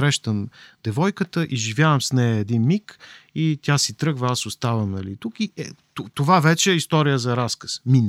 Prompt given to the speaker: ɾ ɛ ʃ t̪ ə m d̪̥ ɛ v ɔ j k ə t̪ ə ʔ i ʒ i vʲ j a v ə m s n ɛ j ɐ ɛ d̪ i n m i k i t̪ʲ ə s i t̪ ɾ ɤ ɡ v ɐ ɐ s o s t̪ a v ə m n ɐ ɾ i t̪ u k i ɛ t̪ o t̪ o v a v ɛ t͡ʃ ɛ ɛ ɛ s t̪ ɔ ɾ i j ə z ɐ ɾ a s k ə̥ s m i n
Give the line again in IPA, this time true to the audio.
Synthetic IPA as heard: ɾ ɛ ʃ t̪ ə m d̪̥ ɛ v ɔ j k ə t̪ ə ʔ i ʒ i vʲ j a v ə m s n ɛ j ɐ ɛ d̪ i n m i k i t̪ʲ a s i t̪ ɾ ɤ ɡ v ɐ a s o s t̪ a v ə m n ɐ l i t̪ u k i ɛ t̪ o t̪ o v a v ɛ t͡ʃ ɛ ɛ i s t̪ ɔ ɾ i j ə z ɐ ɾ a s k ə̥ s m i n